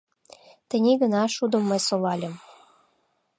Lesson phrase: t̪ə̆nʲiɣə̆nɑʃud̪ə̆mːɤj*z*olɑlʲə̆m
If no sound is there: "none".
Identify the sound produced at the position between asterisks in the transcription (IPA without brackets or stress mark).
s